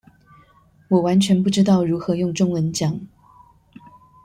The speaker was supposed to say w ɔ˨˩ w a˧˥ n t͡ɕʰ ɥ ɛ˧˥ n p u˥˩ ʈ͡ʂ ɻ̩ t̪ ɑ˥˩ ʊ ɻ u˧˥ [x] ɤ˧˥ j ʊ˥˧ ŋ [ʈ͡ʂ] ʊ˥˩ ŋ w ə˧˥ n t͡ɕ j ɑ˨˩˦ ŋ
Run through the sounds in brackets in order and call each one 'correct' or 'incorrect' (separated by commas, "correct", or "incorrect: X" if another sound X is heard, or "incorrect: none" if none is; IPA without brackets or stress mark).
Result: correct, correct